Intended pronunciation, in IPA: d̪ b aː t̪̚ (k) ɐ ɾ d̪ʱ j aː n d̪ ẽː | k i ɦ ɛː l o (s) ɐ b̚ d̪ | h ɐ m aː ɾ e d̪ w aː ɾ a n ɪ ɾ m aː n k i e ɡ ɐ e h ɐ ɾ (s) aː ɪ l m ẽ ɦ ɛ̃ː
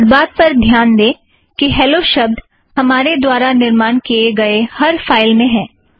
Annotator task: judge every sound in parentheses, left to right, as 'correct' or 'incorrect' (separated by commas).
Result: incorrect, incorrect, incorrect